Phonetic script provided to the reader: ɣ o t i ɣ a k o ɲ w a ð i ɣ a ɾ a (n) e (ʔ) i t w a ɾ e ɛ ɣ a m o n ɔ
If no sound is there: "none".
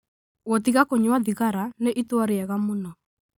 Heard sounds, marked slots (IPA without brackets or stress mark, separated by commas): n, ʔ